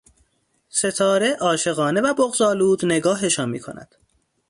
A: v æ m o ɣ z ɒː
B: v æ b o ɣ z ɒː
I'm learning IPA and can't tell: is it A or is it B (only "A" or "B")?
B